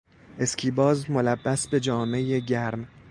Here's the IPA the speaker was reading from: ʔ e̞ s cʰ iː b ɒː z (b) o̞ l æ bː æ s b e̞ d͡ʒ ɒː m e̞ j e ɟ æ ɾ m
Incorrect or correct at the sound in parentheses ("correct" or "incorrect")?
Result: incorrect